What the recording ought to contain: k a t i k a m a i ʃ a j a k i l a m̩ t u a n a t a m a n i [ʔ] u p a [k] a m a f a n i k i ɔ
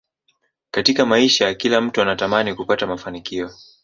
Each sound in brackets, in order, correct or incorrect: incorrect, incorrect

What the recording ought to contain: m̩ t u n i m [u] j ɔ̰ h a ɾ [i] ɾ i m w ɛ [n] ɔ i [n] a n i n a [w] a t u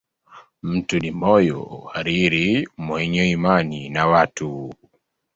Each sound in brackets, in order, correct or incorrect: incorrect, correct, incorrect, incorrect, correct

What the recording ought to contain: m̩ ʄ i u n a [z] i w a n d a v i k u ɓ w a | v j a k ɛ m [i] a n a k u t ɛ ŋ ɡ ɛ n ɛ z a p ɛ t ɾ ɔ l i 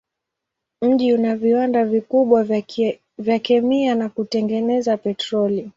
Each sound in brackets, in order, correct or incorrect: incorrect, correct

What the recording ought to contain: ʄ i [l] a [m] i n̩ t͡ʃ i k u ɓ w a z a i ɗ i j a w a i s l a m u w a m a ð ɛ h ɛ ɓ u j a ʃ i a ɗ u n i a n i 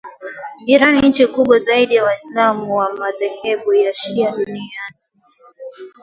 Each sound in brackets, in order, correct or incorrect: incorrect, incorrect

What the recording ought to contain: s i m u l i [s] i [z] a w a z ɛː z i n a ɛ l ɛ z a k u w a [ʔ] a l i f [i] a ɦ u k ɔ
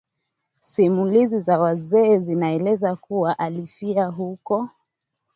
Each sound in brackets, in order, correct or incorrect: incorrect, correct, correct, correct

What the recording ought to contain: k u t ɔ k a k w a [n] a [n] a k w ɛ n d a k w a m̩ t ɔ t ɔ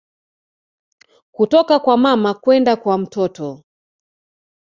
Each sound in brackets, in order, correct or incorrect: incorrect, incorrect

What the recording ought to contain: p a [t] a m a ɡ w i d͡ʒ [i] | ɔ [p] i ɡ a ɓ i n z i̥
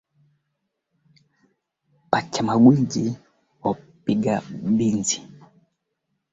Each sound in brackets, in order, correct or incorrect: incorrect, correct, correct

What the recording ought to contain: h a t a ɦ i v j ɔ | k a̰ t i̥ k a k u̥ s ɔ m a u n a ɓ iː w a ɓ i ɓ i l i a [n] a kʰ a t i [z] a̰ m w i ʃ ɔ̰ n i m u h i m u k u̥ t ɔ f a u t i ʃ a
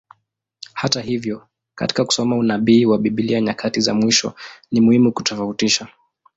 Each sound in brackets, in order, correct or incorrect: incorrect, correct

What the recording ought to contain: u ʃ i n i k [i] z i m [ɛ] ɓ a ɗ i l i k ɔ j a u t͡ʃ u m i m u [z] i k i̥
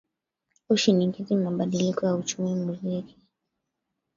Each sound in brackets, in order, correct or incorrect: correct, incorrect, correct

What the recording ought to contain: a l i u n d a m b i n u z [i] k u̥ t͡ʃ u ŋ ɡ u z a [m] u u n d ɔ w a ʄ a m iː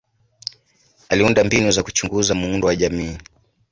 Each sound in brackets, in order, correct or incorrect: incorrect, correct

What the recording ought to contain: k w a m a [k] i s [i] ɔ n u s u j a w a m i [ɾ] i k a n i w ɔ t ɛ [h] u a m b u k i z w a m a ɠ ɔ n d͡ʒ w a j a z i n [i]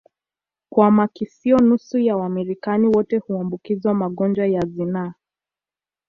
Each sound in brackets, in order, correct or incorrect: correct, correct, correct, correct, incorrect

